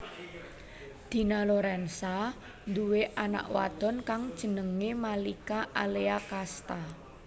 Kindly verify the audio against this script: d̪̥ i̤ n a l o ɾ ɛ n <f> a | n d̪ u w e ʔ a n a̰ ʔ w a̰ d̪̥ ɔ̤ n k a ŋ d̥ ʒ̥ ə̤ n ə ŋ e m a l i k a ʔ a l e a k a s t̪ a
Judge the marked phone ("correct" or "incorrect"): incorrect